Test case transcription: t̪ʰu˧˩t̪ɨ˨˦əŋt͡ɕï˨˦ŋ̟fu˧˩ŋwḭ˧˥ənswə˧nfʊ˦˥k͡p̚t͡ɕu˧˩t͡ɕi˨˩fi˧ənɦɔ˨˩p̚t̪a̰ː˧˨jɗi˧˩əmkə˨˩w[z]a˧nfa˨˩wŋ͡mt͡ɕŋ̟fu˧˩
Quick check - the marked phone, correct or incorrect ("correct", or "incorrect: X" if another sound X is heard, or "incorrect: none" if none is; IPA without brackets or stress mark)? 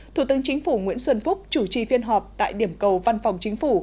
incorrect: v